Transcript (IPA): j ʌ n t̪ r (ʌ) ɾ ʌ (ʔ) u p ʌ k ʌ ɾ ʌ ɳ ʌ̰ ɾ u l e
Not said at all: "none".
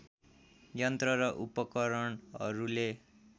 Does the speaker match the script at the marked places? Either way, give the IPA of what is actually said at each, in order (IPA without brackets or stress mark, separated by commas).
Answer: ʌ, ʔ